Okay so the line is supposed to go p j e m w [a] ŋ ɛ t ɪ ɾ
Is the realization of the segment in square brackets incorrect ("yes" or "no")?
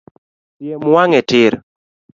no